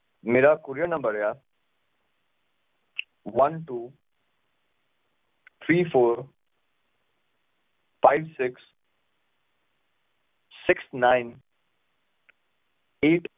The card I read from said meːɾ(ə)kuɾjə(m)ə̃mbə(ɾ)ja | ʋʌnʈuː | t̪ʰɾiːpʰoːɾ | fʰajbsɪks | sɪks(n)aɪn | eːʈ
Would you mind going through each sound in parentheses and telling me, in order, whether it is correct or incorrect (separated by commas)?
incorrect, incorrect, correct, correct